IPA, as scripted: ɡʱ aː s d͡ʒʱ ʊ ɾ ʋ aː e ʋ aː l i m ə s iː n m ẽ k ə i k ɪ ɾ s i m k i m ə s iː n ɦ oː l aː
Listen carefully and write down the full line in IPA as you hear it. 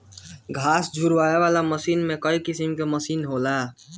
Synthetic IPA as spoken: ɡʱ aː s d͡ʒʱ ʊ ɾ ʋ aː e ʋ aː l a m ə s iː n m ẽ k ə i k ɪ s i m k e m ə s iː n ɦ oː l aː